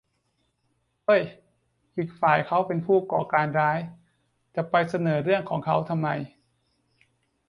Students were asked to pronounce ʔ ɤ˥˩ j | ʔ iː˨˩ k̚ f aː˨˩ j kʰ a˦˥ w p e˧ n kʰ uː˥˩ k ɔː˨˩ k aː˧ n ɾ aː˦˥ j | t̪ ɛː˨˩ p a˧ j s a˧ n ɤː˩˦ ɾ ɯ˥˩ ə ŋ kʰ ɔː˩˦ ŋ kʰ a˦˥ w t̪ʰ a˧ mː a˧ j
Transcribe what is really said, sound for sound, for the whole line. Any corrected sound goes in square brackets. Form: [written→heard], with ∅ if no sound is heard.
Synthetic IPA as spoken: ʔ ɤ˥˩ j | ʔ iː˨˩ k̚ f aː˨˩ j kʰ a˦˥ w p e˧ n [kʰ→pʰ] uː˥˩ k ɔː˨˩ k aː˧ n ɾ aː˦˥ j | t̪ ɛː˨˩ p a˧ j s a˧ n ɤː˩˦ ɾ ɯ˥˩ ə ŋ kʰ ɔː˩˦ ŋ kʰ a˦˥ w t̪ʰ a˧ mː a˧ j